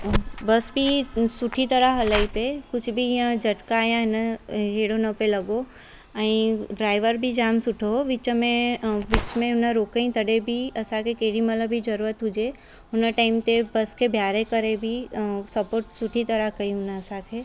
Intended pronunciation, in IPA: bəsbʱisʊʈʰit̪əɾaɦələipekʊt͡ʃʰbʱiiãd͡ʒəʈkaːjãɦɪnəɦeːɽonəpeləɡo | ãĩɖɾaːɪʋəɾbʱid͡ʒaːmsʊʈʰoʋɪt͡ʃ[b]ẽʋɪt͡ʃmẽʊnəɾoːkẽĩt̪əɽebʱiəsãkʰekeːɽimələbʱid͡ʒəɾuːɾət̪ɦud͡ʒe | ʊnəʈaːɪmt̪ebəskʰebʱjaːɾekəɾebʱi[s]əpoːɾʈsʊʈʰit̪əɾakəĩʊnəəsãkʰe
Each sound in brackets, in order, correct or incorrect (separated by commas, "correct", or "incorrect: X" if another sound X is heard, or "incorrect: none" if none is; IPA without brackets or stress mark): incorrect: m, correct